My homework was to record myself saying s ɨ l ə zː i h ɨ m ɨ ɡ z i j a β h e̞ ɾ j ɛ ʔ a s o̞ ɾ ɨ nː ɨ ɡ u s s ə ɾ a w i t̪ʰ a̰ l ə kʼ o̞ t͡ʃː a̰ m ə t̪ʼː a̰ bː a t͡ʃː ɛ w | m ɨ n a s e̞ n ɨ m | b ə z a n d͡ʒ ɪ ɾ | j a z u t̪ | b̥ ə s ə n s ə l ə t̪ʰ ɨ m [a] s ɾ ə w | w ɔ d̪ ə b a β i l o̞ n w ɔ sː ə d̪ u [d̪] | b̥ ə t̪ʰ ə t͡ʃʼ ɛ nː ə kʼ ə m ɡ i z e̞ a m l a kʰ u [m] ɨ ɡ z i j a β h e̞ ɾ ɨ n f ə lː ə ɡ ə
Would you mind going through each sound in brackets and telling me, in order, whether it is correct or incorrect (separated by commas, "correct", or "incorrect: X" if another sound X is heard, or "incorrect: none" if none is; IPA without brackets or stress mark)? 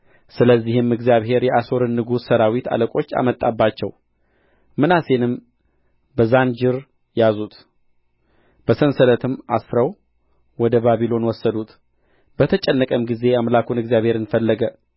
correct, incorrect: t̪, incorrect: n